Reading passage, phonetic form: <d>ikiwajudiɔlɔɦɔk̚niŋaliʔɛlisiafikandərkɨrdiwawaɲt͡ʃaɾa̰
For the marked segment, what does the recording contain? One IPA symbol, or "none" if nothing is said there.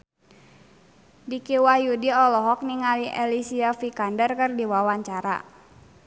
d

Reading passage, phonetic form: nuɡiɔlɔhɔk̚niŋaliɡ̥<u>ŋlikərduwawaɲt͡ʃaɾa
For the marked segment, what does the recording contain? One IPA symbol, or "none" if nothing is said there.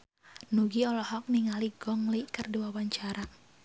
ɔ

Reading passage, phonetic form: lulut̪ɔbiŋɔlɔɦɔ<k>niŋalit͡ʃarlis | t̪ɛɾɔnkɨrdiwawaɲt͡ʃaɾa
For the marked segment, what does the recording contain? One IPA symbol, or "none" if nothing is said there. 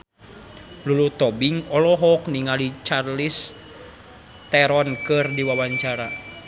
k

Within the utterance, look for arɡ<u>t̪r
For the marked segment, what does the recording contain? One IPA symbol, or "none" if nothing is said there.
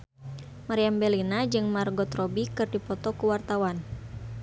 ɔ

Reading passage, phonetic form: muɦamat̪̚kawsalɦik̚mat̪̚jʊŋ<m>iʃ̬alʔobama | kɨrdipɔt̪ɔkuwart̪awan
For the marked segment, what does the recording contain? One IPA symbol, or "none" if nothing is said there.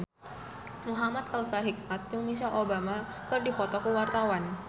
m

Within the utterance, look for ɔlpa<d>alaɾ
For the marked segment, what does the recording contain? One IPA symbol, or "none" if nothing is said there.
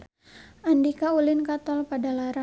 d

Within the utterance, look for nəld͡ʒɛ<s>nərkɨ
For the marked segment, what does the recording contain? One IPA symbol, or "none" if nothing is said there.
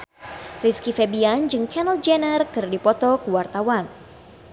none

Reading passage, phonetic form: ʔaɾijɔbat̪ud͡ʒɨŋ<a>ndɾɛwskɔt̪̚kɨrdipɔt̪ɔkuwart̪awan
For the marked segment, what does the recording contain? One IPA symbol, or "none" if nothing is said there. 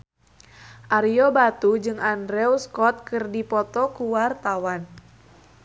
a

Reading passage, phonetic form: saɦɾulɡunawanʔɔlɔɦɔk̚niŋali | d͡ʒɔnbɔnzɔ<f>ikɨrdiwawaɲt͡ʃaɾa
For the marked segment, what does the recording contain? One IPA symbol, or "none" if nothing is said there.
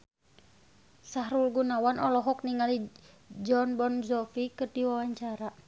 f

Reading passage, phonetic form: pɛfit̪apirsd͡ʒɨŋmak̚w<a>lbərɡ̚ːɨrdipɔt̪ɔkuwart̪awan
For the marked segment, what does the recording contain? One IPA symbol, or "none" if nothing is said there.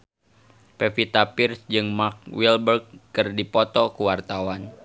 i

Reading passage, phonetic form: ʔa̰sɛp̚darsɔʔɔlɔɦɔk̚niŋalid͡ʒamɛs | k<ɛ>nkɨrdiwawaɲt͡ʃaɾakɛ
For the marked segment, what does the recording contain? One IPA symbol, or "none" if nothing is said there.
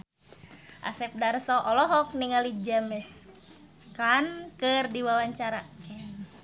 a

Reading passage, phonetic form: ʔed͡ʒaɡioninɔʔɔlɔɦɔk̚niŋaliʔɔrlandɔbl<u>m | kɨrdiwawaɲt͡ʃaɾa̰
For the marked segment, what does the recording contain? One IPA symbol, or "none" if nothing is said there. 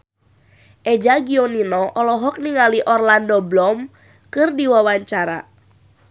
ɔ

